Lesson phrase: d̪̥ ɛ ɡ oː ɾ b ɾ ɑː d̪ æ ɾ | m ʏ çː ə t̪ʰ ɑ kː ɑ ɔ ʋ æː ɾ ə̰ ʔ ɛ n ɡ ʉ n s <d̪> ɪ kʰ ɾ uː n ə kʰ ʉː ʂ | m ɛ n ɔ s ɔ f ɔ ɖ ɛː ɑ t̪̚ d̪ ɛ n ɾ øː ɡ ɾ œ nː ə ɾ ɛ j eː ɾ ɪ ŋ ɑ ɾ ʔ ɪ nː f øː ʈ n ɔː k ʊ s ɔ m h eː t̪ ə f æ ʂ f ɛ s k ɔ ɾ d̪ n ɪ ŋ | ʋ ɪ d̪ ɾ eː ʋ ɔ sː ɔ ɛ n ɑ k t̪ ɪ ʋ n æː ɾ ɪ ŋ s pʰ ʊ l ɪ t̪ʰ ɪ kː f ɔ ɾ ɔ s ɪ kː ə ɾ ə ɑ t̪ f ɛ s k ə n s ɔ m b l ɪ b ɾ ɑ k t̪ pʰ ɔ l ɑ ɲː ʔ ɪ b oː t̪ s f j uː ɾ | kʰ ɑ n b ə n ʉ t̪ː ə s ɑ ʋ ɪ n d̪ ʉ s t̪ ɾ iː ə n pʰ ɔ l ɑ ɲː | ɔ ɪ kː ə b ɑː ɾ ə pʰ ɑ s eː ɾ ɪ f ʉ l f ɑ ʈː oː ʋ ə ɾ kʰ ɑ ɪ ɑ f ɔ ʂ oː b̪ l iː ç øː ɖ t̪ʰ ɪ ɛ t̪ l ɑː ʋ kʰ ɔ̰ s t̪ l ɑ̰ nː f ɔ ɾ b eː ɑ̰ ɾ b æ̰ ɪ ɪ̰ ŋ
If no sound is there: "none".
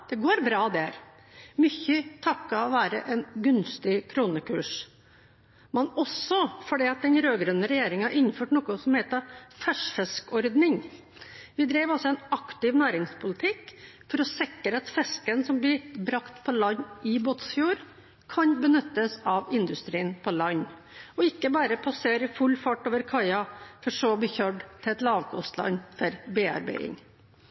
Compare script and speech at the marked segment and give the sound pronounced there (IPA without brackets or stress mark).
t̪